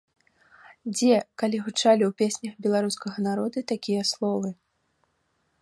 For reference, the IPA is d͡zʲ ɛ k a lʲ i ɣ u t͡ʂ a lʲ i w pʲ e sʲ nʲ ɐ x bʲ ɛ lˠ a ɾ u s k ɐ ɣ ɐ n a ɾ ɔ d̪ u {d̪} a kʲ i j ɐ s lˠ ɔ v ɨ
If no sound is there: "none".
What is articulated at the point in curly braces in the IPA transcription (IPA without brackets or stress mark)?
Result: t̪